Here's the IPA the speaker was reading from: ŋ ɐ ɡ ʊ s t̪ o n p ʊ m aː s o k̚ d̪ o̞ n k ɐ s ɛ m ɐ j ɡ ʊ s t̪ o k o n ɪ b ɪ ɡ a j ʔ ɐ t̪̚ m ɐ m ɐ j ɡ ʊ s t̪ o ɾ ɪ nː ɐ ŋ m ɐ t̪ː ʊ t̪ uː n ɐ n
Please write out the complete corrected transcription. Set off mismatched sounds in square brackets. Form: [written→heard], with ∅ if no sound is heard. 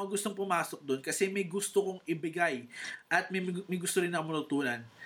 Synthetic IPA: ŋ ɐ ɡ ʊ s t̪ o [n→ŋ] p ʊ m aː s o k̚ d̪ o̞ n k ɐ s ɛ m ɐ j ɡ ʊ s t̪ o k o [n→ŋ] ɪ b ɪ ɡ a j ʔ ɐ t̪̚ m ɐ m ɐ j ɡ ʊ s t̪ o ɾ ɪ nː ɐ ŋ m ɐ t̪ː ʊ t̪ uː n ɐ n